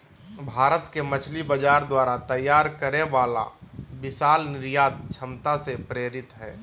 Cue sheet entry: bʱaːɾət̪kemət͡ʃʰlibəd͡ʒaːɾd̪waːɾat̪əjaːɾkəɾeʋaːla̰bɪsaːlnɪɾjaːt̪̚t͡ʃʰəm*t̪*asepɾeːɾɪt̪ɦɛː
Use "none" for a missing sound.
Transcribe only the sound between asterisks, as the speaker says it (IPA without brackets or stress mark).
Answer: t̪